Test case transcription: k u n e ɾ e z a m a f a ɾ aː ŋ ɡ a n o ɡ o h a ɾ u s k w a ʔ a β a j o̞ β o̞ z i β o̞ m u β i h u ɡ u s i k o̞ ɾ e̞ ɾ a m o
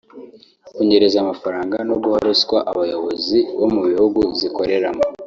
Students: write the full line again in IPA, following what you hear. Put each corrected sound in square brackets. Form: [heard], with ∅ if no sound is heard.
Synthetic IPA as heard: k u [ɲ] e ɾ e z a m a f a ɾ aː ŋ ɡ a n o ɡ [u] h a ɾ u s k w a ʔ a β a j o̞ β o̞ z i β o̞ m u β i h u ɡ u [z] i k o̞ ɾ e̞ ɾ a m o